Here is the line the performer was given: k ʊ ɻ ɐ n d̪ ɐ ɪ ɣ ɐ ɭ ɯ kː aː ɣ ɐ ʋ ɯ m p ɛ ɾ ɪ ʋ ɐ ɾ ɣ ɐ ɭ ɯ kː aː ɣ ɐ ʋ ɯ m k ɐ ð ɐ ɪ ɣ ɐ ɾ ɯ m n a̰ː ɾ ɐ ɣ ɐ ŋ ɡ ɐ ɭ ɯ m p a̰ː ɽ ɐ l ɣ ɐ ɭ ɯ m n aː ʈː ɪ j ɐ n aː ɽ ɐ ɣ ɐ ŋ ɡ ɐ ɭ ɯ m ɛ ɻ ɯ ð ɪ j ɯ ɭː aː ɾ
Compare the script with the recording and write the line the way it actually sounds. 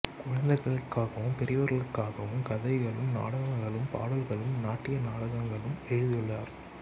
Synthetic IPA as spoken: k ʊ ɻ ɐ n d̪ ɐ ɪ ɣ ɐ ɭ ɯ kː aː ɣ ɐ ʋ ɯ m p ɛ ɾ ɪ ʋ ɐ ɾ ɣ ɐ ɭ ɯ kː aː ɣ ɐ ʋ ɯ m k ɐ ð ɐ ɪ ɣ ɐ ɭ ɯ m n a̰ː ɽ ɐ ɣ ɐ ŋ ɡ ɐ ɭ ɯ m p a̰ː ɽ ɐ l ɣ ɐ ɭ ɯ m n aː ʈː ɪ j ɐ n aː ɽ ɐ ɣ ɐ ŋ ɡ ɐ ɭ ɯ m ɛ ɻ ɯ ð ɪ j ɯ ɭː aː ɾ

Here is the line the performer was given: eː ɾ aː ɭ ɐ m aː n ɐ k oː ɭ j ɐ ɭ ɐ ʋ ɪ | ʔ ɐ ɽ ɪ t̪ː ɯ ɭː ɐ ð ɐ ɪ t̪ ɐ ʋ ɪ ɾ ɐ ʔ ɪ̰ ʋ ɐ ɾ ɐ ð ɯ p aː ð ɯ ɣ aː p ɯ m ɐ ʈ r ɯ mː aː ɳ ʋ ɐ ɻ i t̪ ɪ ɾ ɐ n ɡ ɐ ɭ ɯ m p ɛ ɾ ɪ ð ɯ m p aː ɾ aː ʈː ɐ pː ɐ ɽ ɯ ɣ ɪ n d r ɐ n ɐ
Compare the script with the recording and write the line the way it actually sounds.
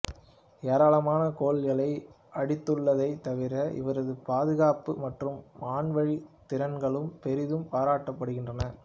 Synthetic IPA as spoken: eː ɾ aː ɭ ɐ m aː n ɐ k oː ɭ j ɐ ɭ ɐ ɪ | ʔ ɐ ɽ ɪ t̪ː ɯ ɭː ɐ ð ɐ ɪ t̪ ɐ ʋ ɪ ɾ ɐ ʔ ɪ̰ ʋ ɐ ɾ ɐ ð ɯ p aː ð ɯ ɣ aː p ɯ m ɐ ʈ r ɯ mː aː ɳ ʋ ɐ ɻ i t̪ ɪ ɾ ɐ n ɡ ɐ ɭ ɯ m p ɛ ɾ ɪ ð ɯ m p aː ɾ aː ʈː ɐ pː ɐ ɽ ɯ ɣ ɪ n d r ɐ n ɐ

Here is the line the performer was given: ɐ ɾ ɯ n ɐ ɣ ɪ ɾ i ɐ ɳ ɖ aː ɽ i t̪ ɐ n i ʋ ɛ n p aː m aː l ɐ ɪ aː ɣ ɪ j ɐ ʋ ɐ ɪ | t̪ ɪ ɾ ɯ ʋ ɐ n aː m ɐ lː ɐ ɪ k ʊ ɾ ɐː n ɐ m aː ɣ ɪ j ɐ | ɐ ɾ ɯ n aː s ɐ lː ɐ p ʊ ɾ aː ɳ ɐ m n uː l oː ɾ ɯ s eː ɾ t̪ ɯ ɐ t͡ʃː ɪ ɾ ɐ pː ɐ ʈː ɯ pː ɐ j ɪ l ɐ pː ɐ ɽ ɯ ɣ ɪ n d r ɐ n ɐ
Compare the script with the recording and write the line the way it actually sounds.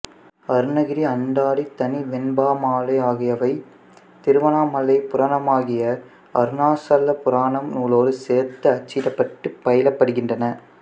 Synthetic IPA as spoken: ɐ ɾ ɯ n ɐ ɣ ɪ ɾ i ɐ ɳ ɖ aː ɽ i t̪ ɐ n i ʋ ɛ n b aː m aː l ɐ ɪ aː ɣ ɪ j ɐ ʋ ɐ ɪ | t̪ ɪ ɾ ɯ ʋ ɐ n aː m ɐ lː ɐ ɪ p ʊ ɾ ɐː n ɐ m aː ɣ ɪ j ɐ | ɐ ɾ ɯ n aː s ɐ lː ɐ p ʊ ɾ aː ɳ ɐ m n uː l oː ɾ ɯ s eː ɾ t̪ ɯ ɐ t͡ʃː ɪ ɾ ɐ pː ɐ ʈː ɯ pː ɐ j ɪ l ɐ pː ɐ ɽ ɯ ɣ ɪ n d r ɐ n ɐ

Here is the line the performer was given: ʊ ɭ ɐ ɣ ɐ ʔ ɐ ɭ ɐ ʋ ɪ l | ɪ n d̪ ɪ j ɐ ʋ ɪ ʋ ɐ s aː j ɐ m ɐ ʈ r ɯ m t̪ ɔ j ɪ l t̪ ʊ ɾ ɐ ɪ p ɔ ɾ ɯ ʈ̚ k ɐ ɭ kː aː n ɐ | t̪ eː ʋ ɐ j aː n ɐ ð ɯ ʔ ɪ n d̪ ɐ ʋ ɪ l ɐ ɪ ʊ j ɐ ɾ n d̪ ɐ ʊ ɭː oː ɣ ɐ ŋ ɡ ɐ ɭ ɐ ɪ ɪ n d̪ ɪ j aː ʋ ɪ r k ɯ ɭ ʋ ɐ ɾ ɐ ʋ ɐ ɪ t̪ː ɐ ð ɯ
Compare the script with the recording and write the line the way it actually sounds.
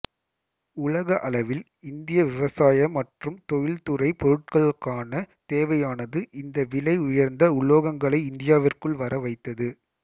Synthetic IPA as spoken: ʊ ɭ ɐ ɣ ɐ ʔ ɐ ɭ ɐ ʋ ɪ l | ɪ n d̪ ɪ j ɐ ʋ ɪ ʋ ɐ s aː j ɐ m ɐ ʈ r ɯ m t̪ ɔ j ɪ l t̪ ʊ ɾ ɐ ɪ p ɔ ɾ ɯ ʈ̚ k ɐ ɭ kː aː n ɐ | t̪ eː ʋ ɐ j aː n ɐ ð ɯ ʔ ɪ n d̪ ɐ ʋ ɪ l ɐ ɪ ʊ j ɐ ɾ n d̪ ɐ ʊ ɭː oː ɣ ɐ ŋ ɡ ɐ ɭ ɐ ɪ ɪ n d̪ ɪ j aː ʋ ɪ r k ɯ ɭ ʋ ɐ ɾ ɐ ʋ ɐ ɪ t̪ː ɐ ð ɯ

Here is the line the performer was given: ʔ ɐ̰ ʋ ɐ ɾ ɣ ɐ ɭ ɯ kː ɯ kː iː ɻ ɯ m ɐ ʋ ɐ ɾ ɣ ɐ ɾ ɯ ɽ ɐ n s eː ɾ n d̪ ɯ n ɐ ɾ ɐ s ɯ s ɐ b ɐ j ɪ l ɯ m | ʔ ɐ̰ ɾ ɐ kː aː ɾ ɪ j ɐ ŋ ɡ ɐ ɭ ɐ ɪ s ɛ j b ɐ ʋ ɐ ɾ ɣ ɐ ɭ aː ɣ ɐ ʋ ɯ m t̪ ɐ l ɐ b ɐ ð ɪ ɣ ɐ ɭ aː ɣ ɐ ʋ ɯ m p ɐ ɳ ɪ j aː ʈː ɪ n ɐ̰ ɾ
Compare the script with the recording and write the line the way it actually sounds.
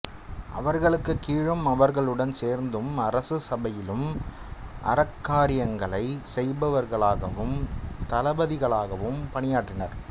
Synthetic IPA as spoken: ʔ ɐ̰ ʋ ɐ ɾ ɣ ɐ ɭ ɯ kː ɯ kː iː ɻ ɯ m ɐ ʋ ɐ ɾ ɣ ɐ ɭ ɯ ɽ ɐ n s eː ɾ n d̪ ɯ m ɐ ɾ ɐ s ɯ s ɐ b ɐ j ɪ l ɯ m | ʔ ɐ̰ ɾ ɐ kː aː ɾ ɪ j ɐ ŋ ɡ ɐ ɭ ɐ ɪ s ɛ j b ɐ ʋ ɐ ɾ ɣ ɐ ɭ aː ɣ ɐ ʋ ɯ m t̪ ɐ l ɐ b ɐ ð ɪ ɣ ɐ ɭ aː ɣ ɐ ʋ ɯ m p ɐ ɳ ɪ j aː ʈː ɪ n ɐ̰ ɾ

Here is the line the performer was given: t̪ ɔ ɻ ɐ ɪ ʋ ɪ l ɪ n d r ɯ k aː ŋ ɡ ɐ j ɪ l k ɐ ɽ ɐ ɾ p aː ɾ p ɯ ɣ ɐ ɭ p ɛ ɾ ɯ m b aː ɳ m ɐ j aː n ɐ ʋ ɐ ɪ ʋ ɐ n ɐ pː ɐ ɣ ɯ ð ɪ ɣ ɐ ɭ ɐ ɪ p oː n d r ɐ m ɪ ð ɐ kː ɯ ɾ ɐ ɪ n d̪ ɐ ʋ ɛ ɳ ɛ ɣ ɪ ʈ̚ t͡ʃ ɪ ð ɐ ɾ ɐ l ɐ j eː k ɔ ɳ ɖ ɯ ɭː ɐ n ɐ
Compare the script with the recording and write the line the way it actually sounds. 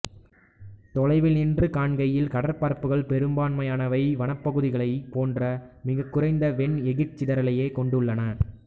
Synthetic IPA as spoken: t̪ ɔ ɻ ɐ ɪ ʋ ɪ l ɪ n d r ɯ k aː ɳ ɡ ɐ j ɪ l k ɐ ɽ ɐ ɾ p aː ɾ p ɯ ɣ ɐ ɭ p ɛ ɾ ɯ m b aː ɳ m ɐ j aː n ɐ ʋ ɐ ɪ ʋ ɐ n ɐ pː ɐ ɣ ɯ ð ɪ ɣ ɐ ɭ ɐ ɪ p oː n d r ɐ m ɪ ɣ ɐ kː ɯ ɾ ɐ ɪ n d̪ ɐ ʋ ɛ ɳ ɛ ɣ ɪ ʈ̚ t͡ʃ ɪ ð ɐ ɾ ɐ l ɐ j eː k ɔ ɳ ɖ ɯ ɭː ɐ n ɐ

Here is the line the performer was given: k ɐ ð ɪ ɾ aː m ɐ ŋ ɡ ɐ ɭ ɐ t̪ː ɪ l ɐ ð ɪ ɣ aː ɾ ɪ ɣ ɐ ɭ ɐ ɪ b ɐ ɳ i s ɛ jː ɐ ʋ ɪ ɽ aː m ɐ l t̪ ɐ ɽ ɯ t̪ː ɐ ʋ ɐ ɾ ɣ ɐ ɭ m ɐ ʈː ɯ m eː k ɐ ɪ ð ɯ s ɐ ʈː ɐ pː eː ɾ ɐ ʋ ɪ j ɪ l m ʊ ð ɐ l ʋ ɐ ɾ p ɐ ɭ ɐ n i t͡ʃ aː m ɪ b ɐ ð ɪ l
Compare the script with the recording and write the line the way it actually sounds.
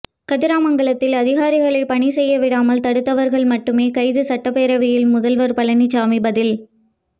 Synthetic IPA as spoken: k ɐ ð ɪ ɾ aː m ɐ ŋ ɡ ɐ ɭ ɐ t̪ː ɪ l ɐ ð ɪ ɣ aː ɾ ɪ ɣ ɐ ɭ ɐ ɪ p ɐ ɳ i s ɛ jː ɐ ʋ ɪ ɽ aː m ɐ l t̪ ɐ ɽ ɯ t̪ː ɐ ʋ ɐ ɾ ɣ ɐ ɭ m ɐ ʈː ɯ m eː k ɐ ɪ ð ɯ s ɐ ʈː ɐ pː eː ɾ ɐ ʋ ɪ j ɪ l m ʊ ð ɐ l ʋ ɐ ɾ p ɐ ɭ ɐ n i t͡ʃ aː m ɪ b ɐ ð ɪ l

